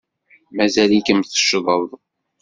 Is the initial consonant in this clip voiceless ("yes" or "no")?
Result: no